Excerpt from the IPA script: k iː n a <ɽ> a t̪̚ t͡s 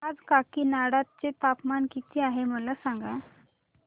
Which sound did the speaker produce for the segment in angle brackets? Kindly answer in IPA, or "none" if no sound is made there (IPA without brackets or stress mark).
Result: ɽ